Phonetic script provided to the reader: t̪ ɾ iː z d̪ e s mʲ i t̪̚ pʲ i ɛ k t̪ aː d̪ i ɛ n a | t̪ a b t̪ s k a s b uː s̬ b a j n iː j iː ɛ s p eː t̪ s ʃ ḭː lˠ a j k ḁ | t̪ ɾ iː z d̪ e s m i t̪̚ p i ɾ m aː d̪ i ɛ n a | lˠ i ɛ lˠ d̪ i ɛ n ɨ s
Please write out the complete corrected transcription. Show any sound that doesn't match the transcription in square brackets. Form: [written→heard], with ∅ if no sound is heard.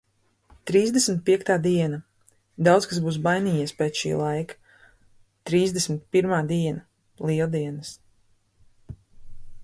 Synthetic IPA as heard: t̪ ɾ iː z d̪ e s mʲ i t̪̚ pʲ i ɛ k t̪ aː d̪ i ɛ n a | [t̪→d̪] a [b→w] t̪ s k a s b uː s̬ b a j n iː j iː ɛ s p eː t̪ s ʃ ḭː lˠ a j k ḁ | t̪ ɾ iː z d̪ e s m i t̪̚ p i ɾ m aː d̪ i ɛ n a | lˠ i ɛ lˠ d̪ i ɛ n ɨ s

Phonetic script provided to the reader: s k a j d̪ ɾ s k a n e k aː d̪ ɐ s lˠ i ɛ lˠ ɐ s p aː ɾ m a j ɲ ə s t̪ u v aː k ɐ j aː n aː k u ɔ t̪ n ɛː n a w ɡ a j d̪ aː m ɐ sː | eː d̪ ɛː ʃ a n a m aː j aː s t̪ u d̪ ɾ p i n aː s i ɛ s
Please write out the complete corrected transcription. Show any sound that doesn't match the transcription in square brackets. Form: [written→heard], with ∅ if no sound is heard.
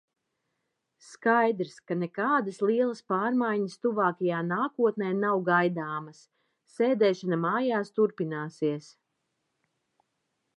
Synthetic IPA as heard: s k a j d̪ ɾ s k a n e k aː d̪ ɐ s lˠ i ɛ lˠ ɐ s p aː ɾ m a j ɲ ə s t̪ u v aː k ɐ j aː n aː k u ɔ t̪ n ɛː n a w ɡ a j d̪ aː m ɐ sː | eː d̪ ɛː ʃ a n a m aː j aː s t̪ u [d̪→∅] ɾ p i n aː s i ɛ s

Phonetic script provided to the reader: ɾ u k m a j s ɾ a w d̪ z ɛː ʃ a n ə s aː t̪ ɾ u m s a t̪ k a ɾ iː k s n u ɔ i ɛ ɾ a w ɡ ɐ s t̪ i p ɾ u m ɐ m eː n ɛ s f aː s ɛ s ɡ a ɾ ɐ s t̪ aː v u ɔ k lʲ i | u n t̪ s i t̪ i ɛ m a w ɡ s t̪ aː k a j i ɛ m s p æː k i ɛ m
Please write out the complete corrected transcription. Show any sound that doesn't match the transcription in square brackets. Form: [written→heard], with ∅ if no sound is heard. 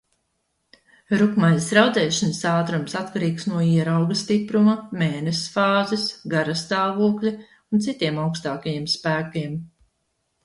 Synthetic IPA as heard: ɾ u k m a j s ɾ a w d̪ z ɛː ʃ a n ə s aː t̪ ɾ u m s a t̪ k a ɾ iː k s n u ɔ i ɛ ɾ a w ɡ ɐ s t̪ i p ɾ u m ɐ m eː n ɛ s f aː [s→z] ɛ s ɡ a ɾ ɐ s t̪ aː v u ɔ k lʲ i | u n t̪ s i t̪ i ɛ m a w [ɡ→k] s t̪ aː k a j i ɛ m s p æː k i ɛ m

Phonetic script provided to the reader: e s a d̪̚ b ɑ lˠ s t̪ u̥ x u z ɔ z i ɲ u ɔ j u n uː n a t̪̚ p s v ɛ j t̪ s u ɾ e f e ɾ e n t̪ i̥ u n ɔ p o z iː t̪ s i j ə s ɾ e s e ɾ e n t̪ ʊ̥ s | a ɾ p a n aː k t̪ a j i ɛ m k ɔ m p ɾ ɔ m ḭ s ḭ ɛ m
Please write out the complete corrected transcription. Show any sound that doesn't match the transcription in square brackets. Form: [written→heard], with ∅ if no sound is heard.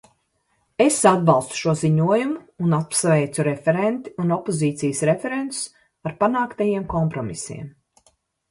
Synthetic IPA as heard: e s a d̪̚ b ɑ lˠ s t̪ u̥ [x→ʃ] u [z→∅] ɔ z i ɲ u ɔ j u [n→m] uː n a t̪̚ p s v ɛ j t̪ s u ɾ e f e ɾ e n t̪ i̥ u n ɔ p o z iː t̪ s i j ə s ɾ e [s→f] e ɾ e n t̪ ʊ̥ s | a ɾ p a n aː k t̪ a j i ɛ m k ɔ m p ɾ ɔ m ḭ s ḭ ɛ m

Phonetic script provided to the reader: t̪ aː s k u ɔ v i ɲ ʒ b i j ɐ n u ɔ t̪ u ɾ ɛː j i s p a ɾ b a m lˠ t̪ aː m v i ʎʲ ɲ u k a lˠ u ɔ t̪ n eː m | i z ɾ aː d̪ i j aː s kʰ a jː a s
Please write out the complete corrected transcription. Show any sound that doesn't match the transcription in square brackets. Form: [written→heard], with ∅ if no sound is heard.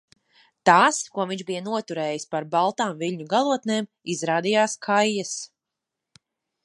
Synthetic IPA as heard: t̪ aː s k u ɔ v i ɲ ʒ b i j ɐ n u ɔ t̪ u ɾ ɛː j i s p a ɾ b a [m→∅] lˠ t̪ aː m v i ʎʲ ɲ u [k→ɡ] a lˠ u ɔ t̪ n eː m | i z ɾ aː d̪ i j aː s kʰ a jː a s

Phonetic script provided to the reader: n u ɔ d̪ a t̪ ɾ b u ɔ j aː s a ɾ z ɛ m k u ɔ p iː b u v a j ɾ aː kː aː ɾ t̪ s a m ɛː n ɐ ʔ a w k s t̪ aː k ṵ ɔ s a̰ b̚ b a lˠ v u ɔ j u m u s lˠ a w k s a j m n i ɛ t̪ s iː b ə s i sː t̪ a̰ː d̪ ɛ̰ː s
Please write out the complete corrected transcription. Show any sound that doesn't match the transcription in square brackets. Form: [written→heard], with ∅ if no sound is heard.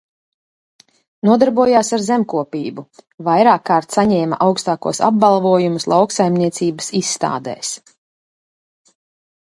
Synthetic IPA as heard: n u ɔ d̪ a [t̪→∅] ɾ b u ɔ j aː s a ɾ z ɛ m k u ɔ p iː b u v a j ɾ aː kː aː ɾ t̪ s a [m→ɲ] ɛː [n→m] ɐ ʔ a w k s t̪ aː k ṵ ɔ s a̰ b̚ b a lˠ v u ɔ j u m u s lˠ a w k s a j m n i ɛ t̪ s iː b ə s i sː t̪ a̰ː d̪ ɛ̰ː s

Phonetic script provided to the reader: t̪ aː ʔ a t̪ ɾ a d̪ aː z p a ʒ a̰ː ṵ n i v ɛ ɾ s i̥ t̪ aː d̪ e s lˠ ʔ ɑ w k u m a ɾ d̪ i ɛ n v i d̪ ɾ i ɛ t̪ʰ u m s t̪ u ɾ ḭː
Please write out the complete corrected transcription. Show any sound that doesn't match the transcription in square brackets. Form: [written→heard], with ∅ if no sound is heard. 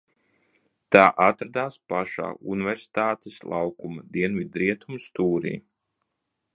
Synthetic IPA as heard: t̪ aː ʔ a t̪ ɾ a d̪ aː [z→s] p a [ʒ→ʃ] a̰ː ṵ n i v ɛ ɾ s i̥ t̪ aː [d̪→t̪] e s lˠ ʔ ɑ w k u m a [ɾ→∅] d̪ i ɛ n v i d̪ ɾ i ɛ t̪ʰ u m s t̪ [u→uː] ɾ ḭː

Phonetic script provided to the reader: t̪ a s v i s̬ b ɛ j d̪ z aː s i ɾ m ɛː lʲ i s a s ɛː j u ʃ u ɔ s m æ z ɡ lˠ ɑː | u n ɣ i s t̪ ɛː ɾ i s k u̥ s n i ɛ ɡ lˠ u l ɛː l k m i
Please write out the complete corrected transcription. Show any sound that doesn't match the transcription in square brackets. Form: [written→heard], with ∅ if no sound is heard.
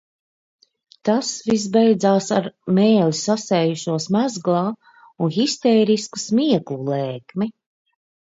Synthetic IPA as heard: t̪ a s v i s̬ b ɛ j d̪ z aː s [i→a] ɾ m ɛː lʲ i s a s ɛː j u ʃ u ɔ s m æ z ɡ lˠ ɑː | u n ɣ i s t̪ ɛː ɾ i s k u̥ s [n→m] i ɛ [ɡ→k] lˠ u l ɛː [l→∅] k m i

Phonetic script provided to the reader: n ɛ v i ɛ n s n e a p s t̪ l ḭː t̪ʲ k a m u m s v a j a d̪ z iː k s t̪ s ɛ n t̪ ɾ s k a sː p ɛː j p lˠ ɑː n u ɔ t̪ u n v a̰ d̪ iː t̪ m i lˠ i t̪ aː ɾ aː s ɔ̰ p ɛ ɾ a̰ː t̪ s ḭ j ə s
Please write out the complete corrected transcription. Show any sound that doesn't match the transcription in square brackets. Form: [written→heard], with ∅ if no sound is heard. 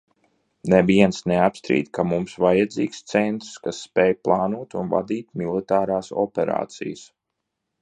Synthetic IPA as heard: n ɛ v i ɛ n s n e a p s t̪ [l→ɾ] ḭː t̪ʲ k a m u m s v a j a d̪ z iː k s t̪ s ɛ n t̪ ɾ s k a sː p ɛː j p lˠ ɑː n u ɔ t̪ u n v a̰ d̪ iː t̪ m i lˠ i t̪ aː ɾ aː s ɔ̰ p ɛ ɾ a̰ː t̪ s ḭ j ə s

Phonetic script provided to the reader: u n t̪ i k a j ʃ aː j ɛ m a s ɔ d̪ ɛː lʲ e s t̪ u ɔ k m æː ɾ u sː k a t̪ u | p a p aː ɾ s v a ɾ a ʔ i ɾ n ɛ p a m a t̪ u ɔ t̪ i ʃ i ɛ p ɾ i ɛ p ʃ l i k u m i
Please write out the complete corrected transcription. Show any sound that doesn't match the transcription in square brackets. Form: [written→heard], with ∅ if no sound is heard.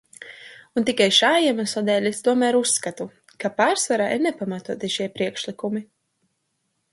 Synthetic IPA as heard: u n t̪ i k a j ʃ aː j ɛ m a s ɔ d̪ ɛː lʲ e s t̪ u ɔ [k→∅] m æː ɾ u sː k a t̪ u | [p→k] a p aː ɾ s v a ɾ a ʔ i ɾ n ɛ p a m a t̪ u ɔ t̪ i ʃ i ɛ p ɾ i ɛ [p→k] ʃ l i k u m i

